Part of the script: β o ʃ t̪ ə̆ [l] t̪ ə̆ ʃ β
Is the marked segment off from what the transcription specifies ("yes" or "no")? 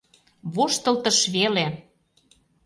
no